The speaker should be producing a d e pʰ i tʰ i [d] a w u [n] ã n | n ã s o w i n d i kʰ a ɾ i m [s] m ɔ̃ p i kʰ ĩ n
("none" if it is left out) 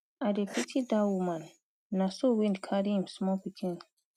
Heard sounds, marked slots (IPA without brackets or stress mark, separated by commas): d, m, s